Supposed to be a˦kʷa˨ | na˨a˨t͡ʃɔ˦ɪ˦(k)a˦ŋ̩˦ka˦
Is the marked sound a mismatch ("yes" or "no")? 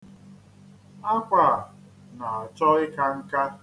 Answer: no